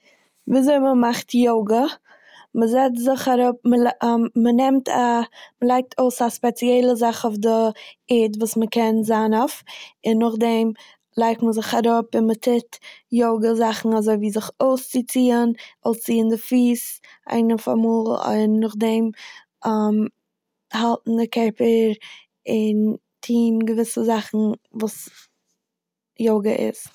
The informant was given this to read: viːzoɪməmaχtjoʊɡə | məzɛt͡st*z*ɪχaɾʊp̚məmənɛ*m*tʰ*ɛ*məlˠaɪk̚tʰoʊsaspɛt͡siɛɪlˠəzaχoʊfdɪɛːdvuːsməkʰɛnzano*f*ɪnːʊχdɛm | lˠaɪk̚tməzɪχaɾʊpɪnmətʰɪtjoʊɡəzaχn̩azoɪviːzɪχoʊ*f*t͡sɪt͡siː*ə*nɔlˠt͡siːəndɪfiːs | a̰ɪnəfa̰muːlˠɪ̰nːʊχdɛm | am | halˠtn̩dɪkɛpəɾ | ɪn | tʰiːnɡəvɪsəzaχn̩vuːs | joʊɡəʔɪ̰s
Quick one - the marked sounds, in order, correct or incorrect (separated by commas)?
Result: correct, correct, incorrect, correct, incorrect, correct